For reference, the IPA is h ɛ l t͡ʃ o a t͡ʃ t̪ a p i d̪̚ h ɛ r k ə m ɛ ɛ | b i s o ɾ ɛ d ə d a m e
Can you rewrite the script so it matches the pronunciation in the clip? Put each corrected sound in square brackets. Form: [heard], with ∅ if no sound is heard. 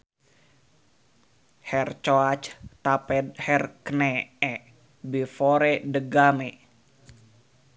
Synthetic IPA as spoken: h ɛ [r] t͡ʃ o a t͡ʃ t̪ a p [ɛ] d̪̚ h ɛ r k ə [n] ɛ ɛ | b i [f] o ɾ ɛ d ə [ɡ] a m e